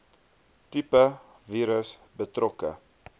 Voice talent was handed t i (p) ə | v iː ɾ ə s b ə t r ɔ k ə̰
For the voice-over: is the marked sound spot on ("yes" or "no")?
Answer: yes